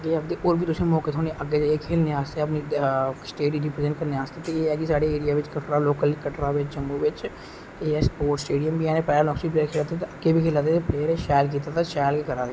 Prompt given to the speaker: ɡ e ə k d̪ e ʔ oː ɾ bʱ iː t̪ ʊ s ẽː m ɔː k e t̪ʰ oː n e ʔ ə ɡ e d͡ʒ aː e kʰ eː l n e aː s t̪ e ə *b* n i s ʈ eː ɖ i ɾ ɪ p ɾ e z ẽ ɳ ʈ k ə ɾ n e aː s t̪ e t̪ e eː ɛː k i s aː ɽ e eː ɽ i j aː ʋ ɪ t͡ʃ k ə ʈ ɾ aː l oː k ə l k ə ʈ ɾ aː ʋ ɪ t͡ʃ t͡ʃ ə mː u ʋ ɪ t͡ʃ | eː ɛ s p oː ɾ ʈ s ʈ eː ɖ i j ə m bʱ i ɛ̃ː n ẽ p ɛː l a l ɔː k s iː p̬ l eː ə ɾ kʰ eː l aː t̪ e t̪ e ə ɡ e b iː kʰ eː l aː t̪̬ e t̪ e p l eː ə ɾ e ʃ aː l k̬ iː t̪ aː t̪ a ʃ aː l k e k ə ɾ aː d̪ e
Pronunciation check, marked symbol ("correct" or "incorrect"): incorrect